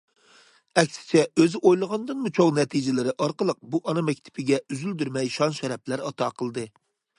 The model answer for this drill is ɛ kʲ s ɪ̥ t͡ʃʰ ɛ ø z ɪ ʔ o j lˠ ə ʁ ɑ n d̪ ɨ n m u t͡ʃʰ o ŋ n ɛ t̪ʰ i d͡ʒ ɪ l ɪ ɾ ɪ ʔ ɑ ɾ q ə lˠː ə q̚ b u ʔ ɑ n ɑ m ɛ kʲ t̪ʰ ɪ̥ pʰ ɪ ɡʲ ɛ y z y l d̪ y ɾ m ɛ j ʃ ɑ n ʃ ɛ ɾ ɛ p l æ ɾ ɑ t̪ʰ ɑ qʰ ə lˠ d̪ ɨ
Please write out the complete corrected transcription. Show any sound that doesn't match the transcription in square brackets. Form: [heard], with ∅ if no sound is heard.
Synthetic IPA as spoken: ɛ kʲ s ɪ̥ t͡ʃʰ ɛ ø z ɪ ʔ o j lˠ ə ʁ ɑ n d̪ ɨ n m u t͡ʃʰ o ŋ n ɛ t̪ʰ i d͡ʒ ɪ l ɪ ɾ ɪ ʔ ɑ ɾ q ə [lˠ] ə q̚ b u ʔ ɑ n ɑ m ɛ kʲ t̪ʰ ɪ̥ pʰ ɪ ɡʲ ɛ y z y l d̪ y ɾ m ɛ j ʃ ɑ n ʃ ɛ ɾ ɛ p l æ ɾ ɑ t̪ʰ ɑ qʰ ə lˠ d̪ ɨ